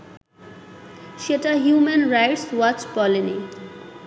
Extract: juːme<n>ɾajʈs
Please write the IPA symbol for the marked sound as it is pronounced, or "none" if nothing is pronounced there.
n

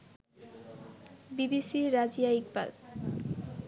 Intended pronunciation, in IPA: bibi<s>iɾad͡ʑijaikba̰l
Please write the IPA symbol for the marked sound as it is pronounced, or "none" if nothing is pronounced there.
s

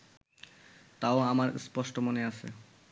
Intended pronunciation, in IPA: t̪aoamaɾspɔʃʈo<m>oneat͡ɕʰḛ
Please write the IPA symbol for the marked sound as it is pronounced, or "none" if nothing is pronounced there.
m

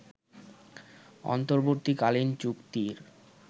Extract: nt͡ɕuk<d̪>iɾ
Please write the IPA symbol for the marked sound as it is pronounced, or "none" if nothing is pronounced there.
t̪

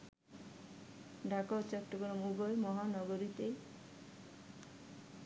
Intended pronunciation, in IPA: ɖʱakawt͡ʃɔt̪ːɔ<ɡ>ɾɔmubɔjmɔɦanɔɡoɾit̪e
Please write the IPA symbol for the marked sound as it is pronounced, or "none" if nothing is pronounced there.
ɡ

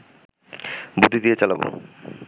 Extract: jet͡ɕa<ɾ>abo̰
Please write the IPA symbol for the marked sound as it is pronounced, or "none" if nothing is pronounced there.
l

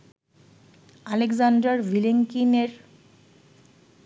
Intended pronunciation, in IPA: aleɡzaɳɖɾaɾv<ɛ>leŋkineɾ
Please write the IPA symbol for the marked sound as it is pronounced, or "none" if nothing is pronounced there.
i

